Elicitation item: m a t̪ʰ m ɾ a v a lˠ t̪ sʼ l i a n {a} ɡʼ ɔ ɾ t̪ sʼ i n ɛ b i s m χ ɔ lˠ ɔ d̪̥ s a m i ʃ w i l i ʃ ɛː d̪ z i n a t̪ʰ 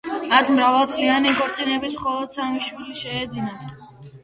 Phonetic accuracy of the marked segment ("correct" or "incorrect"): incorrect